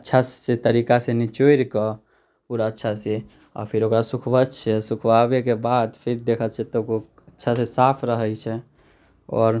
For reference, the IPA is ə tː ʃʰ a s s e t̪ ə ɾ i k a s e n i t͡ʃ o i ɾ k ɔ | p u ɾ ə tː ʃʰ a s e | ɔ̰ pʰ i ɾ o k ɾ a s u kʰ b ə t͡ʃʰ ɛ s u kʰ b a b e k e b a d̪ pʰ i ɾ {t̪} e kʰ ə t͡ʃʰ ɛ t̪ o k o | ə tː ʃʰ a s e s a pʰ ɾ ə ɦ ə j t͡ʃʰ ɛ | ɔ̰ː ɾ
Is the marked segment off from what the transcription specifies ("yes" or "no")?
yes